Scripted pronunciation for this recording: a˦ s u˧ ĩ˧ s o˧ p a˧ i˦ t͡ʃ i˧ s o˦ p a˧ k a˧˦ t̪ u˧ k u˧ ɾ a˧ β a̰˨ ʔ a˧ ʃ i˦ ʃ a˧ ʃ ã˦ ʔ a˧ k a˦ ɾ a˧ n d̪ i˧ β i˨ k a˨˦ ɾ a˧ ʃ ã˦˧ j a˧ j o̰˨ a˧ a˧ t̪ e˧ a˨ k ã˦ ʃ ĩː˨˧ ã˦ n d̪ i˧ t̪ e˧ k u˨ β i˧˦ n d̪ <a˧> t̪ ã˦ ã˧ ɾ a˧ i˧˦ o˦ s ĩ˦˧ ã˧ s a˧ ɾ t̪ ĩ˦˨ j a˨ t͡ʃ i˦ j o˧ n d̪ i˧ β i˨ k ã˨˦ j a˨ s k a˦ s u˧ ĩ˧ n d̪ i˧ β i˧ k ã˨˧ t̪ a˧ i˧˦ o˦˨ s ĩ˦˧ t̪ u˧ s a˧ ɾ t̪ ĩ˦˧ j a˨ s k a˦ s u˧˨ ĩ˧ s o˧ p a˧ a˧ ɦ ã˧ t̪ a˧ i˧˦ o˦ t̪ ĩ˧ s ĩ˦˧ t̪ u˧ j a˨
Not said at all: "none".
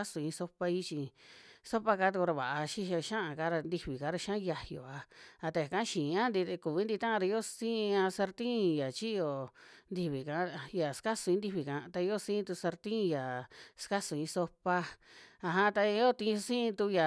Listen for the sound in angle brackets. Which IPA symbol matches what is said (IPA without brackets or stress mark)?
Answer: i˧